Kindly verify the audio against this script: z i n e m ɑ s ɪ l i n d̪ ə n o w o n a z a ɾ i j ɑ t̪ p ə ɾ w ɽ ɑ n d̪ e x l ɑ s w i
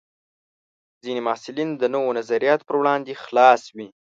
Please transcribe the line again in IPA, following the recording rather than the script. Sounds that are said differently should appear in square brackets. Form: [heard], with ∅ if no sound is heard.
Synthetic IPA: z i n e m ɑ s ɪ l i n d̪ ə n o w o n a z a ɾ i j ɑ t̪ p ə ɾ w ɽ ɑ n d̪ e x l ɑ s w i